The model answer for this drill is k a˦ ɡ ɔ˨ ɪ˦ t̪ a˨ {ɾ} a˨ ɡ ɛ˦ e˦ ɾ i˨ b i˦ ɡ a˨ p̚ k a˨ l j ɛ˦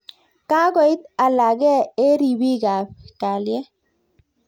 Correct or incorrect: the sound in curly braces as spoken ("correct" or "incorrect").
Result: incorrect